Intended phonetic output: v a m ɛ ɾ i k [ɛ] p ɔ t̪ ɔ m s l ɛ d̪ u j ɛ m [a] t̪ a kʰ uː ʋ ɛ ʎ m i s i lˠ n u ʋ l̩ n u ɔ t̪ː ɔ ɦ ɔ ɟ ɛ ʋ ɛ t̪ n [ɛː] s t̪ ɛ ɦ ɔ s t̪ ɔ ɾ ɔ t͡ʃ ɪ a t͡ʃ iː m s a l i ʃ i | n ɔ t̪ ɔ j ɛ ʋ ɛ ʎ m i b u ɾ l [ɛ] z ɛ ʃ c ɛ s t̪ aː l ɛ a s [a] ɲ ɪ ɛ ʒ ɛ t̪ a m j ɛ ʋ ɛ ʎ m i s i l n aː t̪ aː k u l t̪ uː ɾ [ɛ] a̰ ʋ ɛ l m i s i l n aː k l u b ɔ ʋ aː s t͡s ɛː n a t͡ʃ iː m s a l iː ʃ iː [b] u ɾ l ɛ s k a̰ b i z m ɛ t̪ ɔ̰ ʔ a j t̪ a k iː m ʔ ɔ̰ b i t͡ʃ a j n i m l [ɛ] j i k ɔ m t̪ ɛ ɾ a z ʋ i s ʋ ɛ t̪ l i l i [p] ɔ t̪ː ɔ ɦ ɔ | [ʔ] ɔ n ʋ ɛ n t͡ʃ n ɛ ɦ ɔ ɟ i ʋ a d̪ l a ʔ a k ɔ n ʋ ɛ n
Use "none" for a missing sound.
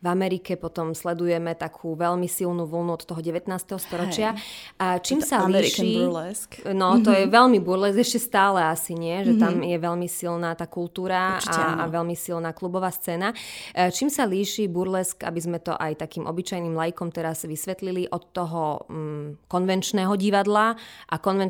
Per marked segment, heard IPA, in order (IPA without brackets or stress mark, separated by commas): ɛ, ɛ, aː, ɛ, i, a, b, a, ʔ, k